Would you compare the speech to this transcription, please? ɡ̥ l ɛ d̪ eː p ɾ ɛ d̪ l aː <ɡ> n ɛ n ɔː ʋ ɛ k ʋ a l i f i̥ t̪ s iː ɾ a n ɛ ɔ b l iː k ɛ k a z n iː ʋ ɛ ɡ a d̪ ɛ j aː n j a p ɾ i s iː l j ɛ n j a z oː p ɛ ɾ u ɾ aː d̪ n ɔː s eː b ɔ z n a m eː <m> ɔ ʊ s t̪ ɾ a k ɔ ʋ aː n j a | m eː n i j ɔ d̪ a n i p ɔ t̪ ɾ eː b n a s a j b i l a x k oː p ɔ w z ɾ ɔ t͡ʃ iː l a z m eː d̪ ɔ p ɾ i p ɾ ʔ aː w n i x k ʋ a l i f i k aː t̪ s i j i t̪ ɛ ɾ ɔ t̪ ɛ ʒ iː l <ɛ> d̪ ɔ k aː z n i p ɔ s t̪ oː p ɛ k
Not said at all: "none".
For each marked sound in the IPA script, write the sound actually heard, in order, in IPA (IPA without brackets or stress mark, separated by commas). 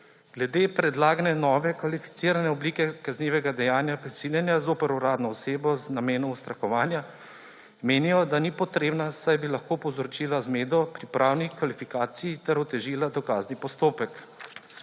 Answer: ɡ, n, a